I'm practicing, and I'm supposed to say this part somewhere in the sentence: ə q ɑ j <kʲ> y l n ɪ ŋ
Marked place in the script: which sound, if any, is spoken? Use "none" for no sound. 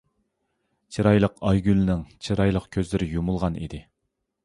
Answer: ɡʲ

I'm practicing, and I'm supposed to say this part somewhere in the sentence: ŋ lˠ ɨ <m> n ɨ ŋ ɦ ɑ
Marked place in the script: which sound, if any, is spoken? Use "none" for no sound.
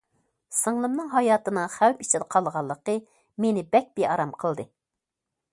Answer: m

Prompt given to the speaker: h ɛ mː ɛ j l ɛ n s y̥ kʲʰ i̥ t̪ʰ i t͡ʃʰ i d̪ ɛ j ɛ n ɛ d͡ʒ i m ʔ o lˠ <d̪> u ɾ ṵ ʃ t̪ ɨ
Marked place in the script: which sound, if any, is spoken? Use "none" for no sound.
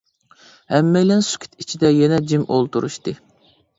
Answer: t̪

